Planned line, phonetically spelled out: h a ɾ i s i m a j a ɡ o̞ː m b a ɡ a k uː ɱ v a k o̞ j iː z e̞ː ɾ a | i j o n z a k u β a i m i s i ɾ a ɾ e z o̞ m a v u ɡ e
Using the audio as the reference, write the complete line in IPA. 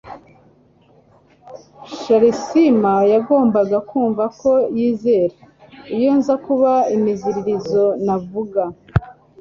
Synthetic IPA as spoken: ʃ a ɾ i s i m a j a ɡ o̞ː m b a ɡ a k uː ɱ v a k o̞ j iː z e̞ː ɾ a | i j o n z a k u β a i m i z i ɾ i ɾ i z o̞ n a v u ɡ a